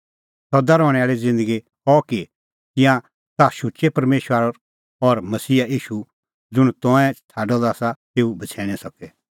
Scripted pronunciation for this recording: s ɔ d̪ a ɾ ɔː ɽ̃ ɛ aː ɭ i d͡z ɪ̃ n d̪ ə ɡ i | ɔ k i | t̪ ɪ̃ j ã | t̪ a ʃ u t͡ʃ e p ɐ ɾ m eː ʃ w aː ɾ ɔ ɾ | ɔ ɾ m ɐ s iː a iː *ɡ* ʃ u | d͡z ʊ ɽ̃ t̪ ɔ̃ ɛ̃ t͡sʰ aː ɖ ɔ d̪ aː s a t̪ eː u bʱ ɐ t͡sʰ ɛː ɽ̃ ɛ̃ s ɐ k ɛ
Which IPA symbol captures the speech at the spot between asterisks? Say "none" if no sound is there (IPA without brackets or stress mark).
none